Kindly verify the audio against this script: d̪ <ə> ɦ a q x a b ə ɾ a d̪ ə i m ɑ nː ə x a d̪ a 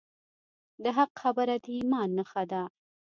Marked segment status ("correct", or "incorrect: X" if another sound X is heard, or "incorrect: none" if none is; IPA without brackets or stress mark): correct